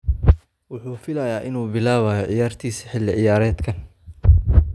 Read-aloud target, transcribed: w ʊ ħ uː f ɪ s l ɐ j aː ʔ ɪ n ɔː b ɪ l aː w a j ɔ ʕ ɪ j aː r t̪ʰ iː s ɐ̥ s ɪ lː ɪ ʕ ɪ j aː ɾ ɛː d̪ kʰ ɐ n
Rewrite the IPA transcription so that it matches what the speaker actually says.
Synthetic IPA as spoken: w ʊ ħ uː f ɪ l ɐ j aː ʔ ɪ n uː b ɪ l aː β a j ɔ ʕ ɪ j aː r t̪ʰ iː s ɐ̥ ħ ɪ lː ɪ ʕ ɪ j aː ɾ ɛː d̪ kʰ ɐ n

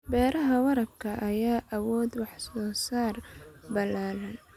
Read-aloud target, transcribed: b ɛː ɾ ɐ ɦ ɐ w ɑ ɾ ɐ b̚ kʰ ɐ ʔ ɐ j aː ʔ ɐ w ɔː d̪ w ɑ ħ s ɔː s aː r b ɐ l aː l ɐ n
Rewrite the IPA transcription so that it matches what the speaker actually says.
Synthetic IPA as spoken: b ɛː ɾ ɐ ɦ ɐ w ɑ ɾ ɐ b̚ kʰ ɐ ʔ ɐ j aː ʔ ɐ w ɔː d̪ w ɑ ħ s ɔː s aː r b ɐ l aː l ɐ n

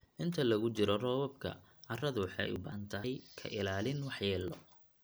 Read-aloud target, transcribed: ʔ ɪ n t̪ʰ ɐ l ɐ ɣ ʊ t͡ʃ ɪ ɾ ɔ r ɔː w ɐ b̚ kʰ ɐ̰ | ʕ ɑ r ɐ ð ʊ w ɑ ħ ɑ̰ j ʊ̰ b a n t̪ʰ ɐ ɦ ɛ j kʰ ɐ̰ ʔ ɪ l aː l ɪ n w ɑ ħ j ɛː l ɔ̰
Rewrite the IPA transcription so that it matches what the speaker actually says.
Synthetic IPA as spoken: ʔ ɪ n t̪ʰ ɐ l ɐ ɣ ʊ t͡ʃ ɪ ɾ ɔ r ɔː w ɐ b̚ kʰ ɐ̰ | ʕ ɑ r ɐ ð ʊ w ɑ ħ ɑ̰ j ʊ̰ b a n t̪ʰ ɐ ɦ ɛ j kʰ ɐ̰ ʔ ɪ l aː l ɪ n w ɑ ħ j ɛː l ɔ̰

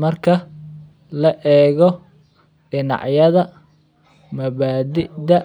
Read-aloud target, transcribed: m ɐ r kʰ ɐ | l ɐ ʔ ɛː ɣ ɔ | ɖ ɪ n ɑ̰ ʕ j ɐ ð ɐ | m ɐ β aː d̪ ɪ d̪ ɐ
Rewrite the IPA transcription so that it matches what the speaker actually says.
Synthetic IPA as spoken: m ɐ r kʰ ɐ | l ɐ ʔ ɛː ɣ ɔ | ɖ ɪ n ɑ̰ ʕ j ɐ ð ɐ | m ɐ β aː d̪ ɪ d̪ ɐ

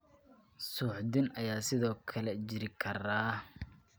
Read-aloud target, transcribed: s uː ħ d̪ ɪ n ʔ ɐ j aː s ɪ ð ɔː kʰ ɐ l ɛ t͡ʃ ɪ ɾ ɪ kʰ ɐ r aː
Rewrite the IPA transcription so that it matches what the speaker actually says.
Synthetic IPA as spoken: s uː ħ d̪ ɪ n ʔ ɐ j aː s ɪ ð ɔː kʰ ɐ l ɛ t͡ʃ ɪ ɾ ɪ kʰ ɐ r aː

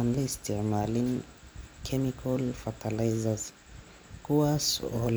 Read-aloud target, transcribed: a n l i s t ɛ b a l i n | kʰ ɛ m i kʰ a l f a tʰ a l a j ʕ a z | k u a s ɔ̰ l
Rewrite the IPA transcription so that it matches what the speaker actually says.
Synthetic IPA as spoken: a n l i s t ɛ m a l i n | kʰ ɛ m i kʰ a l f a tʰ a l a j z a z | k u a s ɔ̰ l

